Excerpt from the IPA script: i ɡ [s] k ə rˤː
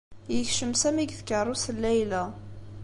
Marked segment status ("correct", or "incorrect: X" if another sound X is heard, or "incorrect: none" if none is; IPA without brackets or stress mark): incorrect: θ